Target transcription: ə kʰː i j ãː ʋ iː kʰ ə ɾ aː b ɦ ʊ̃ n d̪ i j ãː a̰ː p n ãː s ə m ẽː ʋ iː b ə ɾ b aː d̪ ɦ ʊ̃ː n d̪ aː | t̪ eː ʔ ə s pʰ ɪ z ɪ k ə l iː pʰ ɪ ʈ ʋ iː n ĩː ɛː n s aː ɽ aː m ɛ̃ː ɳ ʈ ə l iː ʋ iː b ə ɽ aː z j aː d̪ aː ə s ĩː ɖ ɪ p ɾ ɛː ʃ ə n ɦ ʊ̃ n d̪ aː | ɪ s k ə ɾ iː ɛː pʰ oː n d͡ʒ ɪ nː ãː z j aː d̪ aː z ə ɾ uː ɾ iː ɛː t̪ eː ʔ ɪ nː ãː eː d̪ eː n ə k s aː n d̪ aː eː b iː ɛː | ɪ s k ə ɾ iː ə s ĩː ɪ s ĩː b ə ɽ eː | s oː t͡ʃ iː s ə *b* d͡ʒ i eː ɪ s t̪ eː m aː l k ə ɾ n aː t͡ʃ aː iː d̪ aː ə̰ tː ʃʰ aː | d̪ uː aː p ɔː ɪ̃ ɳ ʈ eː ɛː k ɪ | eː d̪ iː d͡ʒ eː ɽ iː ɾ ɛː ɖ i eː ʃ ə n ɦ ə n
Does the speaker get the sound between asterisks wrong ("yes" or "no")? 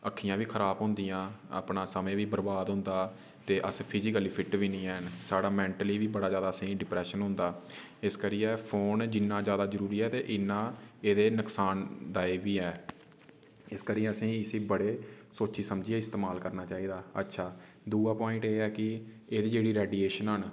yes